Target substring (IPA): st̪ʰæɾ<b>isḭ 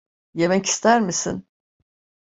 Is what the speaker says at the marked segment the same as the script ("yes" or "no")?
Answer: no